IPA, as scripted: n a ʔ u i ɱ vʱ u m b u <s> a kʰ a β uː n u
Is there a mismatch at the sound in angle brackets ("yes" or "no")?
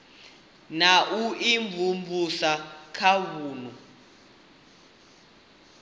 no